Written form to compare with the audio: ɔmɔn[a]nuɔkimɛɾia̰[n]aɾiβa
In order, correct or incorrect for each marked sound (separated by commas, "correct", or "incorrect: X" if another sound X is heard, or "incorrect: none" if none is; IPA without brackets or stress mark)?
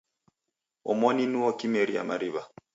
incorrect: i, incorrect: m